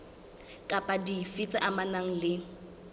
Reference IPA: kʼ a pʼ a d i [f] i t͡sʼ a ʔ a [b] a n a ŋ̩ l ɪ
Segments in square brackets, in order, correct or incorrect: correct, incorrect

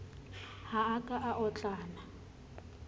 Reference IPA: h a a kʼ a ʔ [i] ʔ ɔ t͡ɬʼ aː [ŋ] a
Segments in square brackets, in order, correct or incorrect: incorrect, incorrect

